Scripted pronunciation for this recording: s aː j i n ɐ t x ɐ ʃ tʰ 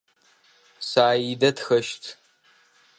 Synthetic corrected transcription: s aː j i d ɐ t x ɐ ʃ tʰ

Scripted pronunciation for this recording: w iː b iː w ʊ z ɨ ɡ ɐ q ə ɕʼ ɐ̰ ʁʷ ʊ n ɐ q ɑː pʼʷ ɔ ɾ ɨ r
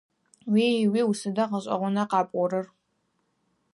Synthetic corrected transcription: w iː w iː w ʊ s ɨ d ɐ q ə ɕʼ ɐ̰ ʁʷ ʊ n ɐ q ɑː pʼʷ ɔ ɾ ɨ r

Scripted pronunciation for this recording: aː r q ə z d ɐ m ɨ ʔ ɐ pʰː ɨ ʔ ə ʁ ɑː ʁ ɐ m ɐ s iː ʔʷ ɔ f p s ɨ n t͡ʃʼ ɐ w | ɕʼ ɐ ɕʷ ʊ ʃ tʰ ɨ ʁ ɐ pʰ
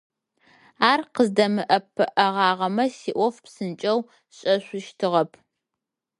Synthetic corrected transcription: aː r q ə z d ɐ m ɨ ʔ ɐ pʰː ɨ ʔ ɐ ʁ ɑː ʁ ɐ m ɐ s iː ʔʷ ɔ f p s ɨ n t͡ʃʼ ɐ w | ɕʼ ɐ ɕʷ ʊ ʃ tʰ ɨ ʁ ɐ pʰ

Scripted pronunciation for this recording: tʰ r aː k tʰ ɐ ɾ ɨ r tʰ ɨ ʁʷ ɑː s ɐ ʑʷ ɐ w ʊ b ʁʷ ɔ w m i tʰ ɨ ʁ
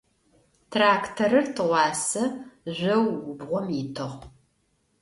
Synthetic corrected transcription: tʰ r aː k tʰ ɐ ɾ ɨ r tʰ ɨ ʁʷ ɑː s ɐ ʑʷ ɐ w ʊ b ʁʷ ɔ m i tʰ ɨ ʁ

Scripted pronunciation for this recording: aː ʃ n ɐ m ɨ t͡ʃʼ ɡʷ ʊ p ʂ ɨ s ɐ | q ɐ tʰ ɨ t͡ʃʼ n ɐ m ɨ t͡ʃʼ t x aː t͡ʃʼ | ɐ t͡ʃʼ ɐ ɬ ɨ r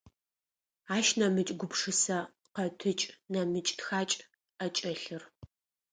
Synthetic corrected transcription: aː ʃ n ɐ m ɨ t͡ʃʼ ɡʷ ʊ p ʂ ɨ s ɐ | q ɐ tʰ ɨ t͡ʃʼ n ɐ m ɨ t͡ʃʼ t x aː t͡ʃʼ | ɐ t͡ʃʼ ɐ ɬ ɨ r

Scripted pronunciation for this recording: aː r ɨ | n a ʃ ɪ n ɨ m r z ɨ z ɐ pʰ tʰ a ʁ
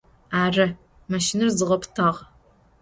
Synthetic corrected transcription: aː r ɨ | m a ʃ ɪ n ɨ r z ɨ ʁ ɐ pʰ tʰ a ʁ

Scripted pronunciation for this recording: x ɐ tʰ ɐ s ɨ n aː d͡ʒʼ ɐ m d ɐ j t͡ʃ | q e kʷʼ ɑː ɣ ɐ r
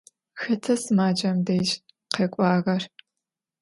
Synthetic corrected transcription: x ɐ tʰ ɐ s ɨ m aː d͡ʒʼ ɐ m d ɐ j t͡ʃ | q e kʷʼ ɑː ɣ ɐ r

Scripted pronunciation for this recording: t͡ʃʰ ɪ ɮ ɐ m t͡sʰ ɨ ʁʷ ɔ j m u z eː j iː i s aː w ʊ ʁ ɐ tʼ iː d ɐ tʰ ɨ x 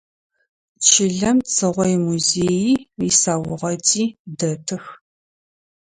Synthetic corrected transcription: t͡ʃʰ ɪ ɮ ɐ m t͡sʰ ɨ ʁʷ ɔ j m u z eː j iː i s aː w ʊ ʁ ɐ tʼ iː d ɐ tʰ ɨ x

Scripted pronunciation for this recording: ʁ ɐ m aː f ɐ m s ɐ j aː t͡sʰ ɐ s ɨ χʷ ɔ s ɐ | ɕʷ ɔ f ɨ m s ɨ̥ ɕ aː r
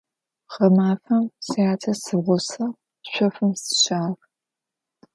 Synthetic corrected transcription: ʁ ɐ m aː f ɐ m s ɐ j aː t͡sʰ ɐ s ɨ ʁʷ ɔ s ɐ | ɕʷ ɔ f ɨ m s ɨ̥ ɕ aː r

